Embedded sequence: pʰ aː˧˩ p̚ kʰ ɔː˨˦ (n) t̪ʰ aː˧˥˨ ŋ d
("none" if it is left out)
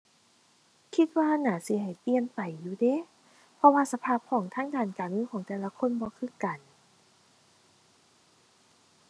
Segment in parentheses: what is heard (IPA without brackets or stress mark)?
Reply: ŋ